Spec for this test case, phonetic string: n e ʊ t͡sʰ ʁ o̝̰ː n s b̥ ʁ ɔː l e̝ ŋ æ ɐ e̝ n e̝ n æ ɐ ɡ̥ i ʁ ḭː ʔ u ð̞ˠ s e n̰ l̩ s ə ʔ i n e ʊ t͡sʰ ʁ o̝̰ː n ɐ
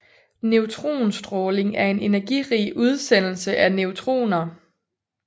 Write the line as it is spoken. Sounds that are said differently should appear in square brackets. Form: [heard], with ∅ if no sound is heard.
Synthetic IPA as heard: n e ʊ t͡sʰ ʁ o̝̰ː n s [d̥] ʁ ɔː l e̝ ŋ æ ɐ e̝ n e̝ n æ ɐ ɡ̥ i ʁ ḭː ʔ u ð̞ˠ s e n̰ l̩ s ə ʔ [æ] n e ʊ t͡sʰ ʁ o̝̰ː n ɐ